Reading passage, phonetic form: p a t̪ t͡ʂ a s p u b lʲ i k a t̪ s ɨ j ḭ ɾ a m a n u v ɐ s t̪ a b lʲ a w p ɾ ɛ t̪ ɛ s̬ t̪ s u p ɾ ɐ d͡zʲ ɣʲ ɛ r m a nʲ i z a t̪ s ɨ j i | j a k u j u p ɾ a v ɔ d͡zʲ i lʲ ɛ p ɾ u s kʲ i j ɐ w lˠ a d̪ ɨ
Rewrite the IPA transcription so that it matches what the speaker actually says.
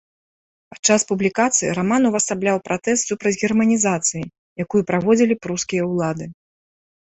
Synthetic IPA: p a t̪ t͡ʂ a s p u b lʲ i k a t̪ s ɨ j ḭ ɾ a m a n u v ɐ s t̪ a b lʲ a w p ɾ a t̪ ɛ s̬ t̪ s u p ɾ ɐ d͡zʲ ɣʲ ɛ r m ɐ nʲ i z a t̪ s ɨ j i | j a k u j u p ɾ a v ɔ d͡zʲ i lʲ i p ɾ u s kʲ i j ɐ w lˠ a d̪ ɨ